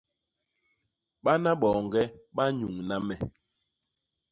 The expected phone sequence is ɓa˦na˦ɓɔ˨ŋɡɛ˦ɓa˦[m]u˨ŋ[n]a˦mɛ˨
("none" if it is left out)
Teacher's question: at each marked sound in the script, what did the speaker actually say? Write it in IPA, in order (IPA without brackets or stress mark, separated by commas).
ɲ, n